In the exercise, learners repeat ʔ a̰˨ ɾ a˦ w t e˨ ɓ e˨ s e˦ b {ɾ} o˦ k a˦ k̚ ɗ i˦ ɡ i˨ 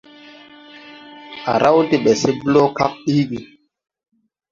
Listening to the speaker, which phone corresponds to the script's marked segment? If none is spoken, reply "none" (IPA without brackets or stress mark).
l